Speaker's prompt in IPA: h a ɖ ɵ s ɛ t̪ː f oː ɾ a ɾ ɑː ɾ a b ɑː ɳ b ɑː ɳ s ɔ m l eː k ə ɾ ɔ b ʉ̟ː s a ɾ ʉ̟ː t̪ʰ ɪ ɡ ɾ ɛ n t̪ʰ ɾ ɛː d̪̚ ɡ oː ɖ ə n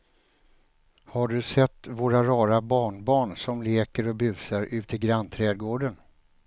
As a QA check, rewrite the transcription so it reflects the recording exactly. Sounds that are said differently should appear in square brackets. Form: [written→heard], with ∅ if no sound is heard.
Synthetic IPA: h a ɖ ɵ s ɛ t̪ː [f→v] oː ɾ a ɾ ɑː ɾ a b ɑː ɳ b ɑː ɳ s ɔ m l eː k ə ɾ ɔ b ʉ̟ː s a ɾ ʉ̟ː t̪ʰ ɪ ɡ ɾ [ɛ→a] n t̪ʰ ɾ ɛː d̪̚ ɡ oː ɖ ə n